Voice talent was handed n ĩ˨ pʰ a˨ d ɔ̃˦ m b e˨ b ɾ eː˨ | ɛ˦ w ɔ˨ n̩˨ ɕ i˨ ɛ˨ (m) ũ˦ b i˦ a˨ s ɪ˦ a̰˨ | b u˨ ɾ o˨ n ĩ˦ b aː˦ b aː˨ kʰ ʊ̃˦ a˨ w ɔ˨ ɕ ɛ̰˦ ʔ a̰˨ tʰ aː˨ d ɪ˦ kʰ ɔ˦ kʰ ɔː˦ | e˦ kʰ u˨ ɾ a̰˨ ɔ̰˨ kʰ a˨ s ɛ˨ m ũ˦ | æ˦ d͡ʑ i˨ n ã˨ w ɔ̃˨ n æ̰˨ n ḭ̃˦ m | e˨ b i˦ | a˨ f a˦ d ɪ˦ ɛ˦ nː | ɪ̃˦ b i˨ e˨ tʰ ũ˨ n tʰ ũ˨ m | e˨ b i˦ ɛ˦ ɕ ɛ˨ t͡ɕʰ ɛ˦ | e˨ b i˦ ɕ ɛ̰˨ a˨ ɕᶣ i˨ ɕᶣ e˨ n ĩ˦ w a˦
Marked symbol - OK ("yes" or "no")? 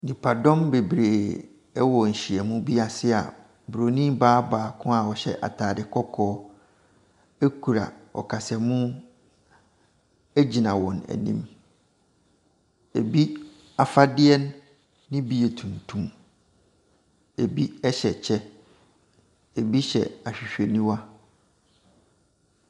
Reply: yes